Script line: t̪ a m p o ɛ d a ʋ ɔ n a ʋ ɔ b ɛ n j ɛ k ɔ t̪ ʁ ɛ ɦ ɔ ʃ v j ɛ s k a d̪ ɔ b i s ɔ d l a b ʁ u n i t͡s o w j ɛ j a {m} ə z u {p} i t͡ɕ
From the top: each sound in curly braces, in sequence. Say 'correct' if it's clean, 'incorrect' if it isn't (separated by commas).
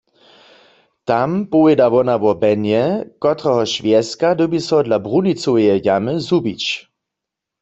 correct, incorrect